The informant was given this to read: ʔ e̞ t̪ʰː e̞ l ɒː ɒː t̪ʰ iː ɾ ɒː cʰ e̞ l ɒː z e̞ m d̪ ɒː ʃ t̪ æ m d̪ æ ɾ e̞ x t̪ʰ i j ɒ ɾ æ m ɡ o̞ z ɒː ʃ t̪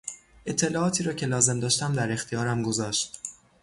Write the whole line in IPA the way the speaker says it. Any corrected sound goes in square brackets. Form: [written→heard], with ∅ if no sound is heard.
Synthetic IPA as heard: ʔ e̞ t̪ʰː e̞ l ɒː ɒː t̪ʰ iː ɾ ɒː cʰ e̞ l ɒː z e̞ m d̪ ɒː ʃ t̪ æ m d̪ æ ɾ e̞ x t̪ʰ i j [ɒ→ɒː] ɾ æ m ɡ o̞ z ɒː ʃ t̪